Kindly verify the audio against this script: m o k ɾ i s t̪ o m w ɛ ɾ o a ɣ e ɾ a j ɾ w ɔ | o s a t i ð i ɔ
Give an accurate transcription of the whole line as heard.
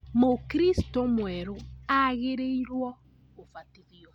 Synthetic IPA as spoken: m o k ɾ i s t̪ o m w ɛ ɾ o a ɣ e ɾ e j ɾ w ɔ | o f a t i ð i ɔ